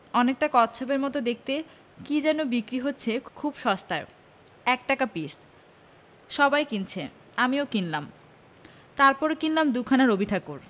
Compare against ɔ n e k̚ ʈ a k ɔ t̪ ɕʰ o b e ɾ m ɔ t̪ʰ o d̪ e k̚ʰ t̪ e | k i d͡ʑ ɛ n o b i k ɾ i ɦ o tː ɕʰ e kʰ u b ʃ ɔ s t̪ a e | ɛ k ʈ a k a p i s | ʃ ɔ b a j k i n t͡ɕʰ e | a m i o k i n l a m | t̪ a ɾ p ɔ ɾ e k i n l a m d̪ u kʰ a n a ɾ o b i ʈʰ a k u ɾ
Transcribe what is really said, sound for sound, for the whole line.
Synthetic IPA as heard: ɔ n e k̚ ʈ a k ɔ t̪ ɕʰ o b e ɾ m ɔ t̪ o d̪ e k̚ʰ t̪ e | k i d͡ʑ ɛ n o b i k ɾ i ɦ o tː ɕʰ e kʰ u b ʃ ɔ s t̪ a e | ɛ k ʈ a k a p i s | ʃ ɔ b a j k i n t͡ɕʰ e | a m i o k i n l a m | t̪ a ɾ p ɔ ɾ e k i n l a m d̪ u kʰ a n a ɾ o b i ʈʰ a k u ɾ

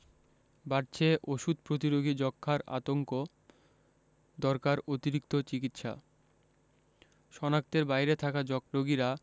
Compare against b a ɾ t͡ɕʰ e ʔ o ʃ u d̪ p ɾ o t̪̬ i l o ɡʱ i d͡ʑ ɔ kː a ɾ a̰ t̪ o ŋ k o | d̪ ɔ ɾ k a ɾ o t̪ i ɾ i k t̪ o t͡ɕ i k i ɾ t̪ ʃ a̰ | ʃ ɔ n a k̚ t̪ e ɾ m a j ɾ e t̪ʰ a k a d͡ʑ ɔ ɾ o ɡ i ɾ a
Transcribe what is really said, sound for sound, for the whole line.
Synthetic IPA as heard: b a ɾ t͡ɕʰ e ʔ o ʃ u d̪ p ɾ o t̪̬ i ɾ o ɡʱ i d͡ʑ ɔ kʰː a ɾ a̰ t̪ o ŋ k o | d̪ ɔ ɾ k a ɾ o t̪ i ɾ i k t̪ o t͡ɕ i k i t̪ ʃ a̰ | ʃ ɔ n a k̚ t̪ e ɾ b a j ɾ e t̪ʰ a k a d͡ʑ ɔ ɾ o ɡ i ɾ a

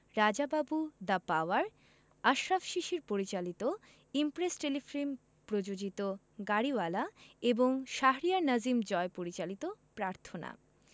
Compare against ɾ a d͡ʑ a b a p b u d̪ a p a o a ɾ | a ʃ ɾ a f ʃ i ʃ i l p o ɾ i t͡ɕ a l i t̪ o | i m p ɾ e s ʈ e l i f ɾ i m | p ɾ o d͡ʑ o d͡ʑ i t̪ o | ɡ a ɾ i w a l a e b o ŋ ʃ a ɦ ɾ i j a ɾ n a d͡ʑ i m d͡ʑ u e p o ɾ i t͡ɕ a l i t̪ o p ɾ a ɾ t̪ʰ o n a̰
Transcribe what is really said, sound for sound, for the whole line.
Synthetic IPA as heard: ɾ a d͡ʑ a b a b u d̪ a p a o a ɾ | a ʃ ɾ a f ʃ i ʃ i ɾ p o ɾ i t͡ɕ a l i t̪ o | i m p ɾ e s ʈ e l i f ɾ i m | p ɾ o d͡ʑ o d͡ʑ i t̪ o | ɡ a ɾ i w a l a e b o ŋ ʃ a ɦ ɾ i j a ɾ n a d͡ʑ i m d͡ʑ ɔ e p o ɾ i t͡ɕ a l i t̪ o p ɾ a ɾ t̪ʰ o n a̰

